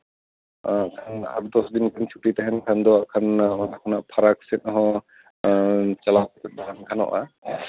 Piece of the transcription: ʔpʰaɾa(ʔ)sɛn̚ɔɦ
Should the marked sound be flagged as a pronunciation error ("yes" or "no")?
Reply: yes